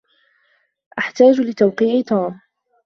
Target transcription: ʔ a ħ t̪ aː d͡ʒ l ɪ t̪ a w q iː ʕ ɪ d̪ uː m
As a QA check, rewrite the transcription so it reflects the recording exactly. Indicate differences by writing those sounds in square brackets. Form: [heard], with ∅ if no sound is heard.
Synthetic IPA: ʔ a ħ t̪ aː d͡ʒ l ɪ t̪ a w q iː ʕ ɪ [t̪] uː m